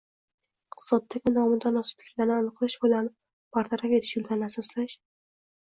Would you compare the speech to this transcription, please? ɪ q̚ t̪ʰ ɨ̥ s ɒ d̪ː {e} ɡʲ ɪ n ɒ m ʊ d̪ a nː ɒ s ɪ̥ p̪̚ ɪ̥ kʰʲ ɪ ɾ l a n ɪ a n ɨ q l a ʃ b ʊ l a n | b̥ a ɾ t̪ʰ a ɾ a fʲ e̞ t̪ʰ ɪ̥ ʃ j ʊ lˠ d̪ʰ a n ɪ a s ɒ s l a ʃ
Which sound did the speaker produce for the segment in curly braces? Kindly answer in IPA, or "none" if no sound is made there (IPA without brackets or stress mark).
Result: a